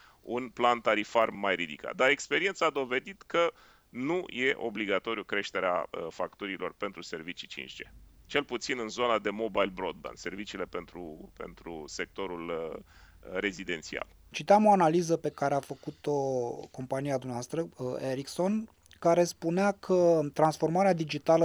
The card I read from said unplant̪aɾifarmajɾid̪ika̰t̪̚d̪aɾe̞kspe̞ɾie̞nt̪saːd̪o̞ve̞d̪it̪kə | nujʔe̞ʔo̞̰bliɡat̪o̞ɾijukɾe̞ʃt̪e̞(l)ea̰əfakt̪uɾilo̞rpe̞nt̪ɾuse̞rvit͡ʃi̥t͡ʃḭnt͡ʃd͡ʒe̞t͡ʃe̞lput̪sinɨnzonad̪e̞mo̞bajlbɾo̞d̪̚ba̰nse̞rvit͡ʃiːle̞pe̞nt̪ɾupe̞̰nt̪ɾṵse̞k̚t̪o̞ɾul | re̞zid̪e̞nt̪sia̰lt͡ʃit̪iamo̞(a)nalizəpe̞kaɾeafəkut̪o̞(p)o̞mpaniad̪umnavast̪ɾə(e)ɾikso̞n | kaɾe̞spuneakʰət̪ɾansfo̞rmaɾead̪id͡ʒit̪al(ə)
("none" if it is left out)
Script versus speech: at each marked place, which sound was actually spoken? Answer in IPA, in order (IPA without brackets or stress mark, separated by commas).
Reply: ɾ, a, k, e, ə